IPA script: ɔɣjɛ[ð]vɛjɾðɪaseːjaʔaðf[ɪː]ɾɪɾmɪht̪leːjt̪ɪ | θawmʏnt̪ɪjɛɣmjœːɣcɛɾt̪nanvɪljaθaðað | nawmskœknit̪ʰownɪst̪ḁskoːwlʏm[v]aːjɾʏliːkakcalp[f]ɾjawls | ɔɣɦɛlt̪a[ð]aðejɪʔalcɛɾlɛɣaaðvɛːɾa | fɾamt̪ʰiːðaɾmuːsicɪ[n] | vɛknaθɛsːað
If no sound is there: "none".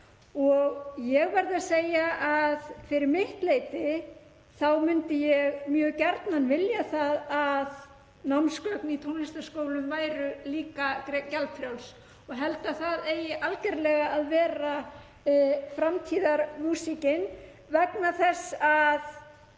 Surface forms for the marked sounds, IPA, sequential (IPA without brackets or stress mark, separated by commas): ɣ, ɪ, v, f, θ, n